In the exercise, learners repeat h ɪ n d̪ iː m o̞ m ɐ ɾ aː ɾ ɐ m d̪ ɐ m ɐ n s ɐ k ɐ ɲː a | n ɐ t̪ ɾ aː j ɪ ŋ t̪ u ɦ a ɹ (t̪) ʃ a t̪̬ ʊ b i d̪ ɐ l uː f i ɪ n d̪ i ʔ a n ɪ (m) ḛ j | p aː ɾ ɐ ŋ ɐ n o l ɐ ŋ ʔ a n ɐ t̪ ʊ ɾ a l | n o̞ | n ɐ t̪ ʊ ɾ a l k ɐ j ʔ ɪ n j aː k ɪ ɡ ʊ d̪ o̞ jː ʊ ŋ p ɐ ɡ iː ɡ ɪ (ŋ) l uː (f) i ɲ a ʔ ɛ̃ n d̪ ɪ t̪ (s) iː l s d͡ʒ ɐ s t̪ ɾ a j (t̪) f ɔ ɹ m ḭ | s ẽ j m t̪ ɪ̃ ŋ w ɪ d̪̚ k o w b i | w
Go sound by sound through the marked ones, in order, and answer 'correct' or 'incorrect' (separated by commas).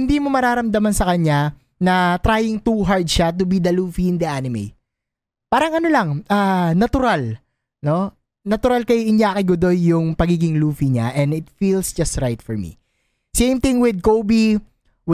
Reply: incorrect, correct, correct, correct, incorrect, correct